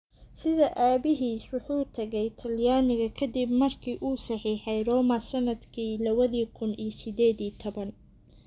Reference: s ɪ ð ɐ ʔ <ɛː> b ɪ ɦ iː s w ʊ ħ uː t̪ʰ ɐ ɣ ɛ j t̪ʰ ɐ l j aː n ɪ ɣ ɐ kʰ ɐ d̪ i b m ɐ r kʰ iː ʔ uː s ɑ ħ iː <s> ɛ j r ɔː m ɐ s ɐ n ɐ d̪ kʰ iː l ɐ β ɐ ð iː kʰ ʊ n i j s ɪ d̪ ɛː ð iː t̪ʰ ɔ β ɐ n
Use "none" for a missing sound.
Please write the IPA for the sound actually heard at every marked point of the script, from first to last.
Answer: aː, ħ

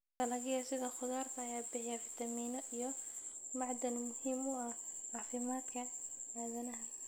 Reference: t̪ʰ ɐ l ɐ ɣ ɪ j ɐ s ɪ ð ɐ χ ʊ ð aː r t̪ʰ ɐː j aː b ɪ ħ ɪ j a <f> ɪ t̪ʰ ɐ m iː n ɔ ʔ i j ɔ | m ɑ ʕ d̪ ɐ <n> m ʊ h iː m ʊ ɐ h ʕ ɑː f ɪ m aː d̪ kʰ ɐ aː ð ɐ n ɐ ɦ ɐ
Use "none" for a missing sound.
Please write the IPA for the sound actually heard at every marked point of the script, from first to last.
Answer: f, n

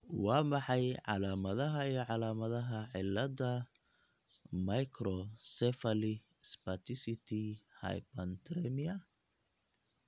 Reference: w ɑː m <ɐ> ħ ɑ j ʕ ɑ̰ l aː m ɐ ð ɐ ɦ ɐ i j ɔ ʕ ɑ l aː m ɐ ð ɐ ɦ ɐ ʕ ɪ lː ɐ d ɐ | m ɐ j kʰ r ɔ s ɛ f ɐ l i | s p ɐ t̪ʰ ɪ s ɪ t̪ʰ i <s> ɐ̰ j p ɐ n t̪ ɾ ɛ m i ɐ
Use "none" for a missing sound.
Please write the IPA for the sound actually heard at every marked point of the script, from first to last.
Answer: ɑ, h

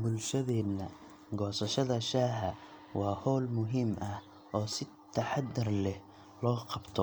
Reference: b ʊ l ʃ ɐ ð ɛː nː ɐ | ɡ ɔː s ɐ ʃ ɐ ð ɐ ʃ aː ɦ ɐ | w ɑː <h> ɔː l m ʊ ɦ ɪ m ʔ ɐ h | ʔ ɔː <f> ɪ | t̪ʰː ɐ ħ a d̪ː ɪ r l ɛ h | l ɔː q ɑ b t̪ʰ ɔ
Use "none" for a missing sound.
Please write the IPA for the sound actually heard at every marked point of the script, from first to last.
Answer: h, s

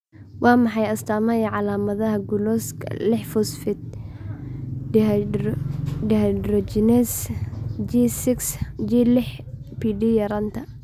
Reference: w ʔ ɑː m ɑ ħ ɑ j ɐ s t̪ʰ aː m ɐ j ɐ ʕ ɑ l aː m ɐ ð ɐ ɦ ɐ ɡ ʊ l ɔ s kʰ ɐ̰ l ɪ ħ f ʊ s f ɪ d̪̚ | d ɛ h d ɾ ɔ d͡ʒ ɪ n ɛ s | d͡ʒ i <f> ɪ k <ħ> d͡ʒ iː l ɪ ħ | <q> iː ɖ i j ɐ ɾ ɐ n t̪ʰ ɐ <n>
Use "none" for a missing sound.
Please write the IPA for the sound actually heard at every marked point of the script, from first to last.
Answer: s, s, p, none

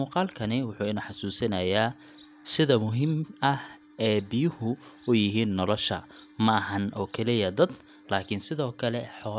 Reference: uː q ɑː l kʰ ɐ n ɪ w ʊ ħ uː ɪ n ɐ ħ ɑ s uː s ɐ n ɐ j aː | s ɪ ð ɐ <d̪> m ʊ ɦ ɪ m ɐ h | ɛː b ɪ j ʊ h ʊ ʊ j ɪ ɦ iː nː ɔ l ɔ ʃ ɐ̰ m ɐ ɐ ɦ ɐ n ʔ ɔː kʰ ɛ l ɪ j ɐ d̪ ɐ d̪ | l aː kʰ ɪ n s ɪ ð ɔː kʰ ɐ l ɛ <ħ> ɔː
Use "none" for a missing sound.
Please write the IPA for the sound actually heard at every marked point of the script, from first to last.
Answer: none, ħ

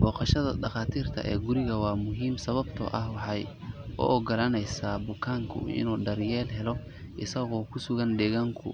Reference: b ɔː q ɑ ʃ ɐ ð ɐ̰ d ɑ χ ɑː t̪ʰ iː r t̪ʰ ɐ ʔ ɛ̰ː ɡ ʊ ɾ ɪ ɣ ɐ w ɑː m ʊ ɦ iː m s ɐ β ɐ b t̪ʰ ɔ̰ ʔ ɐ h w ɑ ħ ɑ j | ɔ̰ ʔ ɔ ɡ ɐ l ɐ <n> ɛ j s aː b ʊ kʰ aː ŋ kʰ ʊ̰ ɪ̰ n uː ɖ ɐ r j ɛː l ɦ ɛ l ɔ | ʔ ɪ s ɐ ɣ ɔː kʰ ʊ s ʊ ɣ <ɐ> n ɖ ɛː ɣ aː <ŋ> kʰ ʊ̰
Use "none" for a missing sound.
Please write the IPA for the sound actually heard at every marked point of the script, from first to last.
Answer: n, ɐ, ŋ

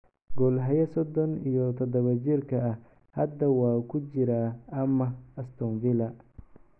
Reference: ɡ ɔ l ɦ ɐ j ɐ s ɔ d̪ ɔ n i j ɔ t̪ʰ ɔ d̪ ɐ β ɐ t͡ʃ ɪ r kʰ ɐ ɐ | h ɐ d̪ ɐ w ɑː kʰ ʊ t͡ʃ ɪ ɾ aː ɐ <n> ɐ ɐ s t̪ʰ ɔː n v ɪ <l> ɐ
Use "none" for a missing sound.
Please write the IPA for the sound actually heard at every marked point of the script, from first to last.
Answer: m, l

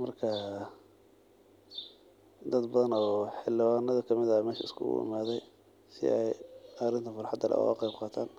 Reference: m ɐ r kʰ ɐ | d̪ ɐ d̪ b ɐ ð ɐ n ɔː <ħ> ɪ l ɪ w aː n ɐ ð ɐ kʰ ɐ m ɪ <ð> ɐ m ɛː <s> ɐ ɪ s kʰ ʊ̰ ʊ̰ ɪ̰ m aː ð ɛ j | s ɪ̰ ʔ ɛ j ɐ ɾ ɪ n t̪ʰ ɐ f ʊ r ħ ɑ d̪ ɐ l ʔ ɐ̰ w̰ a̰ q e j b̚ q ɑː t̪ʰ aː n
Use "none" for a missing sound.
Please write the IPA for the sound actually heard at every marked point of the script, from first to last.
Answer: ħ, ð, ʃ

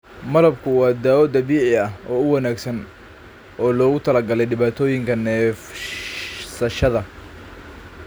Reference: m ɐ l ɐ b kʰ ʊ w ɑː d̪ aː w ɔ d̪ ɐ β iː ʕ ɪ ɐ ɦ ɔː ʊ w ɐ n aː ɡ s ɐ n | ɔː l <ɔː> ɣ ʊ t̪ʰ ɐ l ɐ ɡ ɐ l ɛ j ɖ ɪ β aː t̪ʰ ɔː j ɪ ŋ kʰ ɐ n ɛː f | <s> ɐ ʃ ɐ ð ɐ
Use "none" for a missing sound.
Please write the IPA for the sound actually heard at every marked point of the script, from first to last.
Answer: ɔː, s

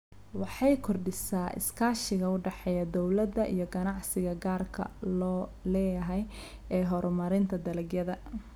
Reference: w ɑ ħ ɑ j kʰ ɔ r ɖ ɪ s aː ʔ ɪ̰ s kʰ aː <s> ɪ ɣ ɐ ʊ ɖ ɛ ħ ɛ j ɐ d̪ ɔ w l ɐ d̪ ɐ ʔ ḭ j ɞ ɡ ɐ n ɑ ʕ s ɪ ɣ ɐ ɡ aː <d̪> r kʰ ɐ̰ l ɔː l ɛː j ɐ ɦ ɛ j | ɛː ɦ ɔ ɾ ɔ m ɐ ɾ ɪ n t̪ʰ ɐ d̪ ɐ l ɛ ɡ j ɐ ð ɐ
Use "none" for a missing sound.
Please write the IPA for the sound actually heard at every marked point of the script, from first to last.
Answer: ʃ, none

